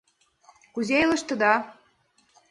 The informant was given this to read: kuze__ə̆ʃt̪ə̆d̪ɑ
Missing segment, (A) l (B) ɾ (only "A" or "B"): A